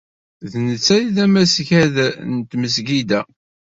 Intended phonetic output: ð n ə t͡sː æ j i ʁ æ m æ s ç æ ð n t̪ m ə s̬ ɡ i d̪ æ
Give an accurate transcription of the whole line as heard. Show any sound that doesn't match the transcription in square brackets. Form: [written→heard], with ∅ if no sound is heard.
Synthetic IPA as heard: ð n ə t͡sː æ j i [ʁ→ð] æ m æ s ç æ ð n t̪ m ə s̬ ɡ i d̪ æ